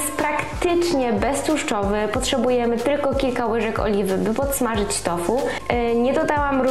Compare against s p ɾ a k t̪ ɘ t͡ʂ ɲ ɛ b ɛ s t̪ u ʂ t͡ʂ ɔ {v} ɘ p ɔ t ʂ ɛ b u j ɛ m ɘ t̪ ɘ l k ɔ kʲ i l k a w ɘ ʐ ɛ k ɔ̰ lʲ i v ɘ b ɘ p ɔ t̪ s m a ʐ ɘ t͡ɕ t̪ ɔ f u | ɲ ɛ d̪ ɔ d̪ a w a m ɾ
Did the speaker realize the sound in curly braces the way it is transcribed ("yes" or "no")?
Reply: yes